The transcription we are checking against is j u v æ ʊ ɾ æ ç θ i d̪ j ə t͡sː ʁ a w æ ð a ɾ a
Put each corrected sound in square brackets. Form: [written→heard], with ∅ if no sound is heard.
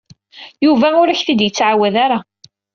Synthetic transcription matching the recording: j u v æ ʊ ɾ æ ç θ i d̪ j ə t͡sː [ʁ→ʕ] a w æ ð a ɾ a